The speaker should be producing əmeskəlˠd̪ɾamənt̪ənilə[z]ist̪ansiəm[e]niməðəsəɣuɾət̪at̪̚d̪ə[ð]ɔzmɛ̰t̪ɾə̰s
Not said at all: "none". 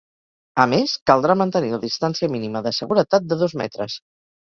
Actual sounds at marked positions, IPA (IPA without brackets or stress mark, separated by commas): ð, i, ð